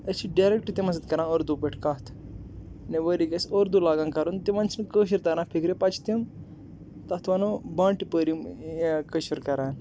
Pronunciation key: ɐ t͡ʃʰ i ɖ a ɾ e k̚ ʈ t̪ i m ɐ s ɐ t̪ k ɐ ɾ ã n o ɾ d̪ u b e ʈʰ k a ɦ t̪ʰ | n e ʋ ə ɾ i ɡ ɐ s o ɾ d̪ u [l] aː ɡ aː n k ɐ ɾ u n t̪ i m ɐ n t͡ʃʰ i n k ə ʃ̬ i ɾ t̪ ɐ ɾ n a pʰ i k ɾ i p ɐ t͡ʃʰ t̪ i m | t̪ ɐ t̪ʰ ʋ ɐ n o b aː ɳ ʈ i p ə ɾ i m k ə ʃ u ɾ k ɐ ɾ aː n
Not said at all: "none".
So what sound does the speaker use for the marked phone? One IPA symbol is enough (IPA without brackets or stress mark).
l